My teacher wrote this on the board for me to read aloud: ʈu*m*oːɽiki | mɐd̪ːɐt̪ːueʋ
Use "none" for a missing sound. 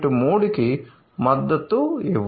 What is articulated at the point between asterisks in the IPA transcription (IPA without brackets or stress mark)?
m